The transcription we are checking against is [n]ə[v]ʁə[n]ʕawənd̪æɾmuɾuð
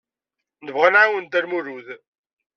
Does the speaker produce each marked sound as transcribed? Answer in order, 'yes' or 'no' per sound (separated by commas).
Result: yes, yes, yes